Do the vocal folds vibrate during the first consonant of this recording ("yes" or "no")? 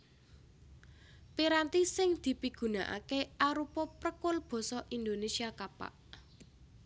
no